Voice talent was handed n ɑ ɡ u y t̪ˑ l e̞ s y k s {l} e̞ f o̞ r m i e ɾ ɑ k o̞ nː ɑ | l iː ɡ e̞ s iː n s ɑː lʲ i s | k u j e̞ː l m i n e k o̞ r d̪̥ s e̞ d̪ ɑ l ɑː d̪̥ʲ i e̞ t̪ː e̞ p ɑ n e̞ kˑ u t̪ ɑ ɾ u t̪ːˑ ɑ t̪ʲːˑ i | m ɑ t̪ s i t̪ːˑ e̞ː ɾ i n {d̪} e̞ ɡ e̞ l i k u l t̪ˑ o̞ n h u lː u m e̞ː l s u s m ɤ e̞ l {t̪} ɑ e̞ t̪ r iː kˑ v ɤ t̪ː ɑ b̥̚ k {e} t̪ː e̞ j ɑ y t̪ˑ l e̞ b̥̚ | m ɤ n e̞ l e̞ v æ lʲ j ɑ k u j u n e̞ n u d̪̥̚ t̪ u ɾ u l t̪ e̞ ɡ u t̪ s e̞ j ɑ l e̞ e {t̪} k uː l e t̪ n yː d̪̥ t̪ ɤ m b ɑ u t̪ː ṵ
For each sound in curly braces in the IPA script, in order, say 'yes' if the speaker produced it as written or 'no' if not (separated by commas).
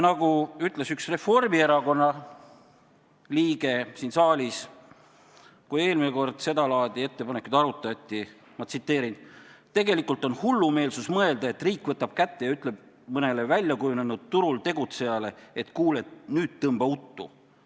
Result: no, no, no, no, yes